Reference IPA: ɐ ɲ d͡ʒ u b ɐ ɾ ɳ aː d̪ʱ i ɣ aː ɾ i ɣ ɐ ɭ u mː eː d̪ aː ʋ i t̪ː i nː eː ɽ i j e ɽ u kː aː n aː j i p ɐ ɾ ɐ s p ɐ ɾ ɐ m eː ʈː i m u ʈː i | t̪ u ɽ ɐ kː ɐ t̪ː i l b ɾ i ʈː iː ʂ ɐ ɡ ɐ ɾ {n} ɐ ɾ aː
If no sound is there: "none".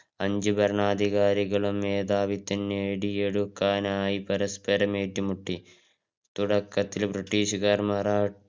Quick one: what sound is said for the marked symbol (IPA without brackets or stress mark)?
m